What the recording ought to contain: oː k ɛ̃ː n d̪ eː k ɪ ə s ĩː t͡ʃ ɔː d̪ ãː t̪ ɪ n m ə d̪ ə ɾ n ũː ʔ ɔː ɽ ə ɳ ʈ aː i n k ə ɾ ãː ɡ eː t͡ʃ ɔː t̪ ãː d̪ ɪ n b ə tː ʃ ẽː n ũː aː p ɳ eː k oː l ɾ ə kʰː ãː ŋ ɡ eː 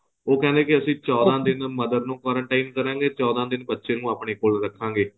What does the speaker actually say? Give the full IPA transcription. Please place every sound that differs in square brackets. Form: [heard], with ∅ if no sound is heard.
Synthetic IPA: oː k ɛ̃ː n d̪ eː k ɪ ə s ĩː t͡ʃ ɔː d̪ ãː [d̪] ɪ n m ə d̪ ə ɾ n ũː [k] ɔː [ɾ] ə ɳ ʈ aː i n k ə ɾ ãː ɡ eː t͡ʃ ɔː [d̪] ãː d̪ ɪ n b ə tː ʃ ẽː n ũː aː p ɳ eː k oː l ɾ ə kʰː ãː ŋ ɡ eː